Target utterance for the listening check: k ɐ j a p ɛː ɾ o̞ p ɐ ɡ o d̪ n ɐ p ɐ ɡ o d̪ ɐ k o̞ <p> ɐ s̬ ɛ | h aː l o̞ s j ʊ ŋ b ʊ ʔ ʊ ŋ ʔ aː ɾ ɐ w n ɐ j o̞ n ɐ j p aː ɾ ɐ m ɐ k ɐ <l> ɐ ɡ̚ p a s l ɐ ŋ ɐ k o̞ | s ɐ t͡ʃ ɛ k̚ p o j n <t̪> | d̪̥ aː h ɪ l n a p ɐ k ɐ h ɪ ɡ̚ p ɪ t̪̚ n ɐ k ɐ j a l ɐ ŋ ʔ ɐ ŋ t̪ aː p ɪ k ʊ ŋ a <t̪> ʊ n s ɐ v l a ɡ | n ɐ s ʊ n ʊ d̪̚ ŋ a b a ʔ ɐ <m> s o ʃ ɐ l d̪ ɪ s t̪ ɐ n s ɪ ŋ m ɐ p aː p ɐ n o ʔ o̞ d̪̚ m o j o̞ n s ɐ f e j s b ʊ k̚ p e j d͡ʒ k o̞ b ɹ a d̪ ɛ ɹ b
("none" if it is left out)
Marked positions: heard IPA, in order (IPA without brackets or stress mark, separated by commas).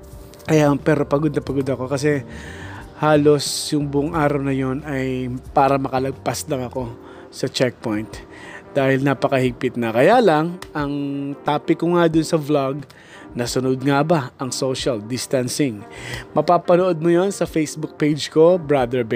k, l, t̪, d̪, ŋ